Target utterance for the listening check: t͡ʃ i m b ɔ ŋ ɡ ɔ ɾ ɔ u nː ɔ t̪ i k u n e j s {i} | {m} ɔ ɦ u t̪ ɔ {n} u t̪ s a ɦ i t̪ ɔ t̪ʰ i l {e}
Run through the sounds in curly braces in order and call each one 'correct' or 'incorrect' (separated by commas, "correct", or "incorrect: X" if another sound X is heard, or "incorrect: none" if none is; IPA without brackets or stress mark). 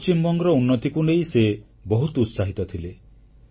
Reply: incorrect: e, incorrect: b, incorrect: none, correct